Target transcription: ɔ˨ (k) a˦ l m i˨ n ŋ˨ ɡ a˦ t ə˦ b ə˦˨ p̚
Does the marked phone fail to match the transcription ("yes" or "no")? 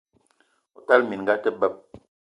yes